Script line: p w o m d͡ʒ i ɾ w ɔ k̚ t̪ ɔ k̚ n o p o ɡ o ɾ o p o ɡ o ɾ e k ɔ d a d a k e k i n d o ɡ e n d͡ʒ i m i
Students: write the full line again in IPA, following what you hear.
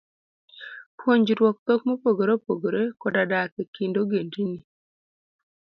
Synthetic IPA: p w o ɲ d͡ʒ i ɾ w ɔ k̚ t̪ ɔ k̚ m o p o ɡ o ɾ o p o ɡ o ɾ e k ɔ d a d a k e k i n d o ɡ e n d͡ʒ i n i

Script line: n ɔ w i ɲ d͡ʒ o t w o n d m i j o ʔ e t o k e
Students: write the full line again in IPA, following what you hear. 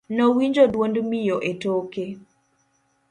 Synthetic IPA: n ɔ w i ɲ d͡ʒ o d w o n d m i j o ʔ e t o k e

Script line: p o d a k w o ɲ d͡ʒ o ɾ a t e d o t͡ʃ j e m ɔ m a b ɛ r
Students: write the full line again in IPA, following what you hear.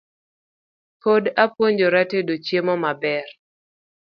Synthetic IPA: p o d a p w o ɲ d͡ʒ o ɾ a t e d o t͡ʃ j e m ɔ m a b ɛ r

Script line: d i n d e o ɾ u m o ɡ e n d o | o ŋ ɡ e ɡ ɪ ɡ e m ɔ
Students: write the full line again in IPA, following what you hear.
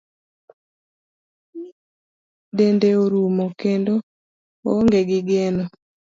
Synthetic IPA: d e n d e o ɾ u m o k e n d o | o ŋ ɡ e ɡ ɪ ɡ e n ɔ

